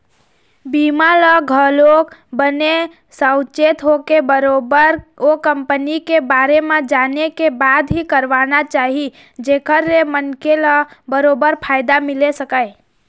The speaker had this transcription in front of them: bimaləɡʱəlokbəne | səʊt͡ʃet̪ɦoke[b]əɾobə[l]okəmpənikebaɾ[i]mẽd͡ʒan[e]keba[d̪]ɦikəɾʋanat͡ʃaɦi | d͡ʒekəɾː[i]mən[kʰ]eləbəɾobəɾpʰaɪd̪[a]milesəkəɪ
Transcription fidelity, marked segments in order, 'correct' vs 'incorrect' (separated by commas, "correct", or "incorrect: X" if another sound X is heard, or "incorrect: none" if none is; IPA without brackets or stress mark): correct, incorrect: ɾ, incorrect: e, correct, correct, incorrect: e, incorrect: k, correct